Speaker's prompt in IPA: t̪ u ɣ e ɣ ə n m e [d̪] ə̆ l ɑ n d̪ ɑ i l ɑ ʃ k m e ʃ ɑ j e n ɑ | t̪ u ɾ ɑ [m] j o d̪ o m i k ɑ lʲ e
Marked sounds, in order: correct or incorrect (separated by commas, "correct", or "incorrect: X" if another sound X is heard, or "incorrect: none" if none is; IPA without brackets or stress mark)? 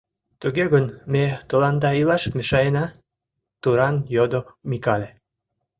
incorrect: t̪, incorrect: n